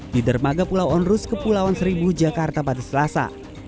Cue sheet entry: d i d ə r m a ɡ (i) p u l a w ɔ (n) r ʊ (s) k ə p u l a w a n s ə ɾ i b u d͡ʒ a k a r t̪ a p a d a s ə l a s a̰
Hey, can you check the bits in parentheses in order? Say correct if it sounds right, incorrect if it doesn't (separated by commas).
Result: incorrect, correct, correct